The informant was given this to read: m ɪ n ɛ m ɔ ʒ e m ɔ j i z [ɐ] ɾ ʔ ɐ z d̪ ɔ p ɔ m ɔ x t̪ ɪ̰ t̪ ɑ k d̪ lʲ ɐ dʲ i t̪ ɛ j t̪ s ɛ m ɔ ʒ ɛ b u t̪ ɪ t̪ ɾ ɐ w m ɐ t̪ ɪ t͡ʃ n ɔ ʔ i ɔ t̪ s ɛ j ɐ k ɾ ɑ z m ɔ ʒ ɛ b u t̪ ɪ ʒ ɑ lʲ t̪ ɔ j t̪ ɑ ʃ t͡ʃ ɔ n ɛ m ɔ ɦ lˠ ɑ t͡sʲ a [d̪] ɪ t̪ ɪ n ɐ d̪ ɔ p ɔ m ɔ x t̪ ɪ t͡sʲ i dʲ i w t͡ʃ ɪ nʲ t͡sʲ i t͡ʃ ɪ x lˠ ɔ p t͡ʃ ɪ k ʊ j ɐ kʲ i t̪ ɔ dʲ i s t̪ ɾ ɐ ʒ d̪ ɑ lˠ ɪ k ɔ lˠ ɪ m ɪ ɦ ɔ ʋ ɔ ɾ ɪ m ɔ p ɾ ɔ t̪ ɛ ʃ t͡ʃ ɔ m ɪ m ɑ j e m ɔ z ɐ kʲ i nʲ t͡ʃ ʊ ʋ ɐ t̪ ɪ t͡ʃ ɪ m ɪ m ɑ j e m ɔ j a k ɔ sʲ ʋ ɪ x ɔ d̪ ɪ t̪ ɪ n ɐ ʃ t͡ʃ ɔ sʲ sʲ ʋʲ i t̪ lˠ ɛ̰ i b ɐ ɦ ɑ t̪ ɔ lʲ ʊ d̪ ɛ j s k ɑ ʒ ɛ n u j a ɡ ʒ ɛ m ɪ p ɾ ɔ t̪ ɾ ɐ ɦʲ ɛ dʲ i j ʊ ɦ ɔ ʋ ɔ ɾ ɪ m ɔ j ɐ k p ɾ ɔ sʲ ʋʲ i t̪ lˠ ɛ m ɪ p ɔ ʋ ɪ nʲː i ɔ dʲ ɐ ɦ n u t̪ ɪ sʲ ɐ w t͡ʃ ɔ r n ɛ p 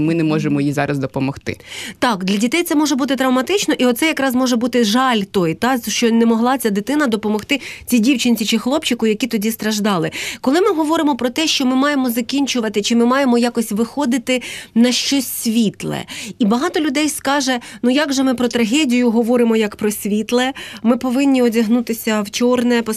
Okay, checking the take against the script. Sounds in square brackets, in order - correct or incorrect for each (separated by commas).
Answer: incorrect, correct